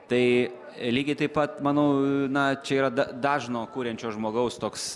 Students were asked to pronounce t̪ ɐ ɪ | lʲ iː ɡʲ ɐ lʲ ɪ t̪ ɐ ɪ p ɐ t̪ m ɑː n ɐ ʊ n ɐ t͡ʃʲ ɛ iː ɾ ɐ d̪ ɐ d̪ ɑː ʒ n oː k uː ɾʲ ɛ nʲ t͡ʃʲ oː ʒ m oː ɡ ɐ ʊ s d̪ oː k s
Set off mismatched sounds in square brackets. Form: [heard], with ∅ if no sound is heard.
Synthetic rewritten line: t̪ ɐ ɪ | lʲ iː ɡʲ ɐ [∅] ɪ t̪ ɐ ɪ p ɐ t̪ m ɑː n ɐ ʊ n ɐ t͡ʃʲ ɛ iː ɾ ɐ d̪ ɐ d̪ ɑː ʒ n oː k uː ɾʲ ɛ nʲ t͡ʃʲ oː ʒ m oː ɡ ɐ ʊ s [t̪] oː k s